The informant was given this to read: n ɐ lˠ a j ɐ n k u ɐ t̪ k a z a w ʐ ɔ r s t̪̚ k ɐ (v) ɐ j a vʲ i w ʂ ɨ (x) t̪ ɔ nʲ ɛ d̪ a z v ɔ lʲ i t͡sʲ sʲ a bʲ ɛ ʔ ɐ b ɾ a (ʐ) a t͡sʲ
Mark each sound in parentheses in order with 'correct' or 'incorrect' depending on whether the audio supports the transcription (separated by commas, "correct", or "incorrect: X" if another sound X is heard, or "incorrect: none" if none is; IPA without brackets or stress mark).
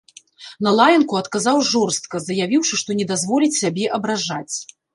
incorrect: z, incorrect: ʂ, correct